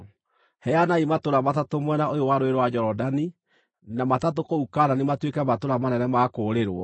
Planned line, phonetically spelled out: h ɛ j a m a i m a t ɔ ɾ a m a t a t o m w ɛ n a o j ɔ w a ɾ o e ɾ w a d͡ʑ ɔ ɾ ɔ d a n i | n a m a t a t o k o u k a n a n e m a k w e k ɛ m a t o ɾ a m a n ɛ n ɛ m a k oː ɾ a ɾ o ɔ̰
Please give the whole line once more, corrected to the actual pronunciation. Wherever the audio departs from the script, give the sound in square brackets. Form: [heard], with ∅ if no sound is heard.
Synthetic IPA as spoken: h ɛ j a [n] a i m a t [o] ɾ a m a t a t o m w ɛ n a o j [o] w a ɾ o e ɾ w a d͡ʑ ɔ ɾ ɔ d a n i | n a m a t a t o k o u k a n a n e m a [t] w e k ɛ m a t o ɾ a m a n ɛ n ɛ m a k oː ɾ [e] ɾ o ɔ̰

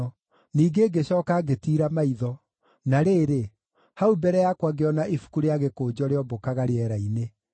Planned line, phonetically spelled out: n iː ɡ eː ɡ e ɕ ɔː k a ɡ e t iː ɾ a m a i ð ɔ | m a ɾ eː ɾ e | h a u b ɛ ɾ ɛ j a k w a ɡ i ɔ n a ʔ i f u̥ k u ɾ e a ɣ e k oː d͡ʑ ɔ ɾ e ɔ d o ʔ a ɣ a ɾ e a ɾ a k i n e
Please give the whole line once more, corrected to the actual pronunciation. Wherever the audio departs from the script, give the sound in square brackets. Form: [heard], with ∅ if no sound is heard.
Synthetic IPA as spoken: n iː ɡ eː ɡ e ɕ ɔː k a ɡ e t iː ɾ a m a i ð ɔ | [n] a ɾ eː ɾ e | h a u b ɛ ɾ ɛ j a k w a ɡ [e] ɔ n a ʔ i f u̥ k u ɾ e a ɣ e k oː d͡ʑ ɔ ɾ e ɔ [b] o [k] a ɣ a ɾ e [ɛ] ɾ a [∅] i n e

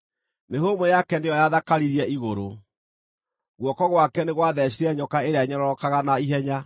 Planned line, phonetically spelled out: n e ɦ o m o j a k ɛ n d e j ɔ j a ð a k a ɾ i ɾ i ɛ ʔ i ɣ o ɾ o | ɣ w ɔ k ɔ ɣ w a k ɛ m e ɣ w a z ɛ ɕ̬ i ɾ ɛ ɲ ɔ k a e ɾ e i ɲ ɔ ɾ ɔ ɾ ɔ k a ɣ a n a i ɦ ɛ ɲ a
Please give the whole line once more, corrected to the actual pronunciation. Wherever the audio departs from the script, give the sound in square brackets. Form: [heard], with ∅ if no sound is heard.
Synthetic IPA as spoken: n e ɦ o m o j a k ɛ n d e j ɔ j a ð a k a ɾ i ɾ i ɛ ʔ i ɣ o ɾ o | ɣ w ɔ k ɔ ɣ w a k ɛ [n] e ɣ w a [ð] ɛ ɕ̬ i ɾ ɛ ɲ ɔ k a e ɾ e [a] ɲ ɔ ɾ ɔ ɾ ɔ k a ɣ a n a i ɦ ɛ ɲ a

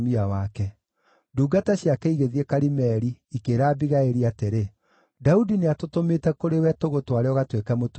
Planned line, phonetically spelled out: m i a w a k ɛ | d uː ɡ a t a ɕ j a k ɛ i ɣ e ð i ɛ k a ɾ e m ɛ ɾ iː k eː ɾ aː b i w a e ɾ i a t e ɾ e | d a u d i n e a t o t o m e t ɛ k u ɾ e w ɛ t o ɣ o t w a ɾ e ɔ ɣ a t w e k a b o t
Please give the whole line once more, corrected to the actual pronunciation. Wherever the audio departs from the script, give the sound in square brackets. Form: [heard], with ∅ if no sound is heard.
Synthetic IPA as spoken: m i a w a k ɛ | d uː ɡ a t a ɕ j a k ɛ i ɣ e ð i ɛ k a ɾ [i] m ɛ ɾ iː k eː ɾ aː b i [ɣ] a e ɾ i a t e ɾ e | d a u d i n e a t o t o m e t ɛ k [o] ɾ e w ɛ t o ɣ o t w a ɾ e ɔ ɣ a t w e k a [m] o t

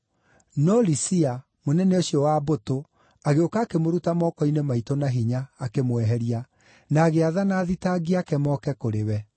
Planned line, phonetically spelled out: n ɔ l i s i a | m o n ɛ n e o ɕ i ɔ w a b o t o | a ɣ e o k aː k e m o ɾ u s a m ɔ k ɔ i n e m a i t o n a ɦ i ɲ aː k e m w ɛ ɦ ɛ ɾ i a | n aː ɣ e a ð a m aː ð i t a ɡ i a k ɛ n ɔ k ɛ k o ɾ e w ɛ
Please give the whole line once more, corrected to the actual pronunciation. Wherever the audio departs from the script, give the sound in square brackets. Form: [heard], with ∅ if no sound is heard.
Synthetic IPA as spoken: n ɔ l i s i a | m o n ɛ n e o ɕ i ɔ w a b o t o | a ɣ e o k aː k e m o ɾ u [t] a m ɔ k ɔ i n e m a i t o n a ɦ i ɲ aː k e m w ɛ ɦ ɛ ɾ i a | n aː ɣ e a ð a [n] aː ð i t a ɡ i a k ɛ [m] ɔ k ɛ k o ɾ e w ɛ

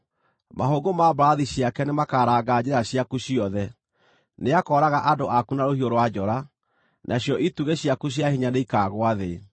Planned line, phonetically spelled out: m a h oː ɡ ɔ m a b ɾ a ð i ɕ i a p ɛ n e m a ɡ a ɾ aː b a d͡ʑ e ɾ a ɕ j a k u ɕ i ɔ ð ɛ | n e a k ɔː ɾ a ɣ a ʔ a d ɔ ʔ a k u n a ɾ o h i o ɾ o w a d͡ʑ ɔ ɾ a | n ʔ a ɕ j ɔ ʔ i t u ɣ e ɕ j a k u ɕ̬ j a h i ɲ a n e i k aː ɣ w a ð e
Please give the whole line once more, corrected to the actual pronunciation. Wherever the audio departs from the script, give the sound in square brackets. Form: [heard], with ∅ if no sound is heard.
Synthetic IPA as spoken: m a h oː ɡ [o] m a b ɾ a ð i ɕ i a [k] ɛ n e m a [k] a ɾ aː [ɡ] a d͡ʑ e ɾ a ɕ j a k u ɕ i ɔ ð ɛ | n e a k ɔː ɾ a ɣ a ʔ a d [o] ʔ a k u n a ɾ o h i o ɾ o w a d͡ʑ ɔ ɾ a | n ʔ a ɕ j ɔ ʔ i t u ɣ e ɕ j a k u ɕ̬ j a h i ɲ a n e i k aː ɣ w a ð e

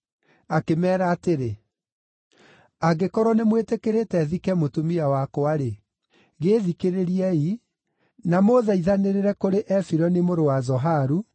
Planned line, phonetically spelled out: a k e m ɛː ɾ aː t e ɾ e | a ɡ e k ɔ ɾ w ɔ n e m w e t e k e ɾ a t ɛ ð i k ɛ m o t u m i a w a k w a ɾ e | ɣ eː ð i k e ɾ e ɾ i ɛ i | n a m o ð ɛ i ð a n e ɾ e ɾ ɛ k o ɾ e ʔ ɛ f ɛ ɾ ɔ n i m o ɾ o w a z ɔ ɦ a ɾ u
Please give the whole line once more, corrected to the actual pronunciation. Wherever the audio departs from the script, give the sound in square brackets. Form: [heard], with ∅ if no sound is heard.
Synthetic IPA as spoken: a k e m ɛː ɾ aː t e ɾ e | a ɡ e k ɔ ɾ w ɔ n e m w e t e k e ɾ [e] t ɛ ð i k ɛ m o t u m i a w a k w a ɾ e | ɣ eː ð i k e ɾ e ɾ i ɛ i | n a m o ð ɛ i ð a n e ɾ e ɾ ɛ k o ɾ e ʔ ɛ f [i] ɾ ɔ n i m o ɾ o w a z ɔ ɦ a ɾ u

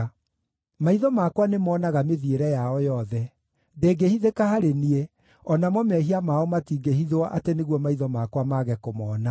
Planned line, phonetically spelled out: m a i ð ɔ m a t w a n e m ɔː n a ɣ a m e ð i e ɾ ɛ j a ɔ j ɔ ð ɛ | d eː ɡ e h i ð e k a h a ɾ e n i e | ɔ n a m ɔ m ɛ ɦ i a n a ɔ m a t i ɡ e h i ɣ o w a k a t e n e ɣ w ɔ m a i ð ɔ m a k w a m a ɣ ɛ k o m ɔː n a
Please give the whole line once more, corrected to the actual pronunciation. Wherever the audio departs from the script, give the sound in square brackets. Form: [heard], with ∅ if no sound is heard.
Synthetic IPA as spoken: m a i ð ɔ m a [k] w a n e m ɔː n a ɣ a m e ð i e ɾ ɛ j a ɔ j ɔ ð ɛ | d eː ɡ e h i ð e k a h a ɾ e n i e | ɔ n a m ɔ m ɛ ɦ i a [m] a ɔ m a t i ɡ e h i [ð] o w a [ʔ] a t e n e ɣ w ɔ m a i ð ɔ m a k w a m a ɣ ɛ k o m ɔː n a

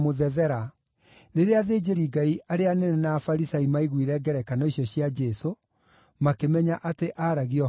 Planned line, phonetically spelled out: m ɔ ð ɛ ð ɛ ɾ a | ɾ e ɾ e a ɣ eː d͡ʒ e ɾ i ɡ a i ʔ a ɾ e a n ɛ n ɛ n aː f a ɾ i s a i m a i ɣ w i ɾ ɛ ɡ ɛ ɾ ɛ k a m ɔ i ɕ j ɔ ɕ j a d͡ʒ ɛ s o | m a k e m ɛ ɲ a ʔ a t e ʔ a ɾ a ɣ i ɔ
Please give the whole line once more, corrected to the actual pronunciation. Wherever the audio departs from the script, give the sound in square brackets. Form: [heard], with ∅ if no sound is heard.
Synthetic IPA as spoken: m [o] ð ɛ ð ɛ ɾ a | ɾ e ɾ e a [ð] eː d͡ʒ e ɾ i ɡ a i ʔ a ɾ e a n ɛ n ɛ n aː f a ɾ i s a i m a i ɣ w i ɾ ɛ ɡ ɛ ɾ ɛ k a [n] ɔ i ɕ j ɔ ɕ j a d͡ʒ ɛ s o | m a k e m ɛ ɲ a ʔ a t e ʔ a ɾ a ɣ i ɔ

